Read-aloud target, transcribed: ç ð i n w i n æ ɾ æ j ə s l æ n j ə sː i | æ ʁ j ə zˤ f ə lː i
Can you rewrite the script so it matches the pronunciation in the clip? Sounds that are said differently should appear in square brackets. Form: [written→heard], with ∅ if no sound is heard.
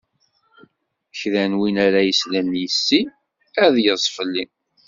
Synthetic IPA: ç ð [i→æ] n w i n æ ɾ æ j ə s l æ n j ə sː i | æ [ʁ→ð] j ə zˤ f ə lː i